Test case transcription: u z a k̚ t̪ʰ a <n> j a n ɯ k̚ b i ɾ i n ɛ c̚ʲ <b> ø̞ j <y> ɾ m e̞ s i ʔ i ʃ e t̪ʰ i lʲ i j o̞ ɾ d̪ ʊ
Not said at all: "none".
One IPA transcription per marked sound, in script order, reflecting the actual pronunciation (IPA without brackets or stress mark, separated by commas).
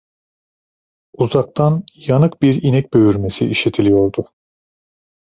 n, b, y